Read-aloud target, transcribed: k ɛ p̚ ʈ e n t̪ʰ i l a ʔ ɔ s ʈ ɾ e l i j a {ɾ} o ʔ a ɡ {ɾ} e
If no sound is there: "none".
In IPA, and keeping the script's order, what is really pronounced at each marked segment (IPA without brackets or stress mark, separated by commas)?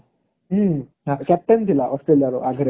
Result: ɾ, ɾ